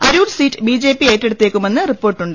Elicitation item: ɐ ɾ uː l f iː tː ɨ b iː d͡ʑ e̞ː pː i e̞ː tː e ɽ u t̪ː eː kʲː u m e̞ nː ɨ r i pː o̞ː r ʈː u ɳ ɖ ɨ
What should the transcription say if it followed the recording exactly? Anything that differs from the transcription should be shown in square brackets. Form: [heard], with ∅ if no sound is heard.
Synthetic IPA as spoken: ɐ ɾ uː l [s] iː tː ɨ b iː d͡ʑ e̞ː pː i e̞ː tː e ɽ u t̪ː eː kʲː u m e̞ nː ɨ r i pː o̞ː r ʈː u ɳ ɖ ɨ